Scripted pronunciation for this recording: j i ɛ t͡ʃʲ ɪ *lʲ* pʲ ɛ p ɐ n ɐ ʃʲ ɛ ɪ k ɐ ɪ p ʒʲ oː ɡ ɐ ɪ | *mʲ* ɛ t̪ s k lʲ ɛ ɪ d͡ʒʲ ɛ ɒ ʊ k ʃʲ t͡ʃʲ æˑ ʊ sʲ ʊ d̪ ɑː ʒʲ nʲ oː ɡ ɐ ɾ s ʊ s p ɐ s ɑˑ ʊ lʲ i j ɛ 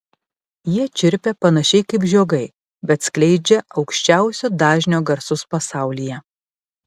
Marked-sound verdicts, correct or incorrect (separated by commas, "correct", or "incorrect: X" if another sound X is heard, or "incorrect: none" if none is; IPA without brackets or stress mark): incorrect: ɾʲ, incorrect: bʲ